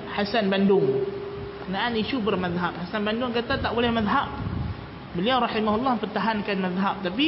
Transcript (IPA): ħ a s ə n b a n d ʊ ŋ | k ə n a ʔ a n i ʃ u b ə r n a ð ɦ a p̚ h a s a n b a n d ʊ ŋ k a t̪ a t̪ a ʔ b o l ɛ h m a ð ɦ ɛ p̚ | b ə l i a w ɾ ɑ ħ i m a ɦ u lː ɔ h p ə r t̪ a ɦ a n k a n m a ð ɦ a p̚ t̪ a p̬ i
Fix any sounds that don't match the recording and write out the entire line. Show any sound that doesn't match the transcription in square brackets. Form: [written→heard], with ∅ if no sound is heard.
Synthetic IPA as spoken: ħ a s [ə→a] n b a n d ʊ ŋ | k ə n a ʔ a n i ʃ u b ə r [n→m] a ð ɦ a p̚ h a s a n b a n d ʊ ŋ k a t̪ a t̪ a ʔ b o l ɛ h m a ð ɦ [ɛ→a] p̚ | b ə l i a w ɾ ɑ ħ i m a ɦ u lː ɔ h p ə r t̪ a ɦ a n k a n m a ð ɦ a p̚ t̪ a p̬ i